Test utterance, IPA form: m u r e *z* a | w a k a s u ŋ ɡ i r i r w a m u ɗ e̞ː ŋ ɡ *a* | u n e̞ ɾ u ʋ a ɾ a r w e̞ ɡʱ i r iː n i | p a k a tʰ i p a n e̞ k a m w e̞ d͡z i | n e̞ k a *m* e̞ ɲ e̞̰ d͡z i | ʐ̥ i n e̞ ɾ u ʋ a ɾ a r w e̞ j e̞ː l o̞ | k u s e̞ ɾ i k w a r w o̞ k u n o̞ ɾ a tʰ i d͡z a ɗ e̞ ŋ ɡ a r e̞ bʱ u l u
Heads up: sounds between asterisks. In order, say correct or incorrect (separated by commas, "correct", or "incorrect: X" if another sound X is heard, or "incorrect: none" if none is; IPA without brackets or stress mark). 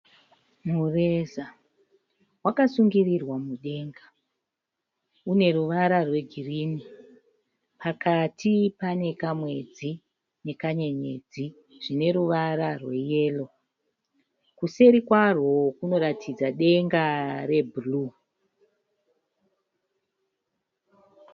correct, correct, incorrect: ɲ